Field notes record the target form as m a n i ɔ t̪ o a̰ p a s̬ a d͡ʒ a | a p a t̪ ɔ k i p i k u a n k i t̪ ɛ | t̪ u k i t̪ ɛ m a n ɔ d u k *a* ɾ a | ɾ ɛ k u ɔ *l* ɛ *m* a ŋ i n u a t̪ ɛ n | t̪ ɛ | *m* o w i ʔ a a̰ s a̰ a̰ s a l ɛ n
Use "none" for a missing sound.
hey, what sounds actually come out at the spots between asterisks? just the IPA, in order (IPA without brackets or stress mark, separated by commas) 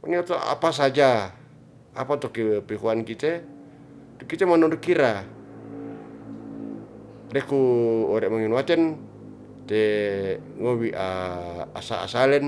i, ɾ, m, ŋ